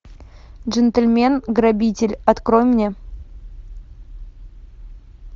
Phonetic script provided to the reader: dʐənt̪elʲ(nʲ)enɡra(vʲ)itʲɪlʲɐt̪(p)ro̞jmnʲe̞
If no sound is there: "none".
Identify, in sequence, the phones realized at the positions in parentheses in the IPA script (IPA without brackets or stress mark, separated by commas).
mʲ, bʲ, k